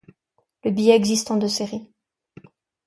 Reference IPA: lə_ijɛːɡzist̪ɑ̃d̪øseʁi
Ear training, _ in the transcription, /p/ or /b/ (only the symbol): b